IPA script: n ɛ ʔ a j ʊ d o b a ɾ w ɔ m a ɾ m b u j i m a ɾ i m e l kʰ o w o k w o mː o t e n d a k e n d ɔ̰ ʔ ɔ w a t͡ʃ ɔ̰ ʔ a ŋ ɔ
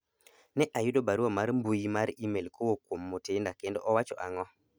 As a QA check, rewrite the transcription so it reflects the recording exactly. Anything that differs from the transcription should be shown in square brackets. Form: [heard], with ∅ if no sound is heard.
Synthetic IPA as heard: n ɛ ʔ a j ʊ d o b a ɾ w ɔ m a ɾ m b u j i m a ɾ i m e l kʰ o w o k w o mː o t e n d a k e n d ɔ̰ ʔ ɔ w a t͡ʃ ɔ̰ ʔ a ŋ ɔ

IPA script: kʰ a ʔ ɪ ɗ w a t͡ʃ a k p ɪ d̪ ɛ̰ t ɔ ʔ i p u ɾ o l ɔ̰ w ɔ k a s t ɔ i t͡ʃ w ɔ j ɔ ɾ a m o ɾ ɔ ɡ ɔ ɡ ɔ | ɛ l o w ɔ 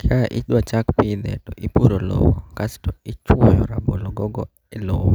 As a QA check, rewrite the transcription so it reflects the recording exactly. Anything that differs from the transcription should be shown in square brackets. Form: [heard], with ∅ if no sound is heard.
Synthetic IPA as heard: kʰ a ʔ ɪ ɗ w a t͡ʃ a k p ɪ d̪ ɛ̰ t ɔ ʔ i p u ɾ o l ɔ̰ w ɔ k a s t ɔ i t͡ʃ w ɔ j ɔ ɾ a [b] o [l] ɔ ɡ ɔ ɡ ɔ | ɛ l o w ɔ

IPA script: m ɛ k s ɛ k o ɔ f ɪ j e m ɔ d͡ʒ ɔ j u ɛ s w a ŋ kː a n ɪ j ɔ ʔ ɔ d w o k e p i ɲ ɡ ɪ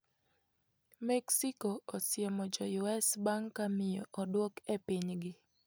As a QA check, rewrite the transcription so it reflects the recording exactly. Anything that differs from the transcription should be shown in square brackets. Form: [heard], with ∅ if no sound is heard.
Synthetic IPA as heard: m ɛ k s [i] k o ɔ [s] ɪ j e m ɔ d͡ʒ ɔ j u ɛ s [b] a ŋ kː a [m] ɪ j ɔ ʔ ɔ d w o k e p i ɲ ɡ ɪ

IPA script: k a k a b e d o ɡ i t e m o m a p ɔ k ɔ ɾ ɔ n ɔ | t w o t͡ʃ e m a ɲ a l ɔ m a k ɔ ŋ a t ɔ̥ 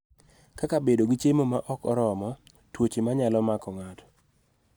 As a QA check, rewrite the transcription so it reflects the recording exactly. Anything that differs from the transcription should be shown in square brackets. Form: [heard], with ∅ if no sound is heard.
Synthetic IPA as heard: k a k a b e d o ɡ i [t͡ʃ] e m o m a [ʔ] ɔ k ɔ ɾ ɔ [m] ɔ | t w o t͡ʃ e m a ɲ a l ɔ m a k ɔ ŋ a t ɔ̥

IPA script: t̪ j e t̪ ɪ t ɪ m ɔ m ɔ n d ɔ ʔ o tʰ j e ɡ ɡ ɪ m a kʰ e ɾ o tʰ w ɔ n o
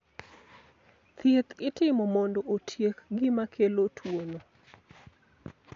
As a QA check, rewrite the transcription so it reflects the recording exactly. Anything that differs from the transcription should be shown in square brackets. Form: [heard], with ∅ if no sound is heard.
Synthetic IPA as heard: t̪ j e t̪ ɪ t ɪ m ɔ m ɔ n d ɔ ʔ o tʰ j e [k] ɡ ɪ m a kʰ e [l] o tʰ w [o] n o

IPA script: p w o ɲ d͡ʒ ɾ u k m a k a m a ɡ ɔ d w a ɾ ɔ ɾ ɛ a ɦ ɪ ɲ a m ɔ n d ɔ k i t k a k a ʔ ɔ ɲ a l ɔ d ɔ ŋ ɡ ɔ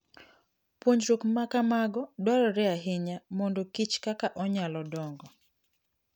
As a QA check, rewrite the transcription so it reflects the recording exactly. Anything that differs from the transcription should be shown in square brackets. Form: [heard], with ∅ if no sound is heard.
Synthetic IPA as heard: p w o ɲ d͡ʒ ɾ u k m a k a m a ɡ ɔ d w a ɾ ɔ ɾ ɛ a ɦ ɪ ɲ a m ɔ n d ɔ k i [t͡ʃ] k a k a ʔ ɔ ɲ a l ɔ d ɔ ŋ ɡ ɔ

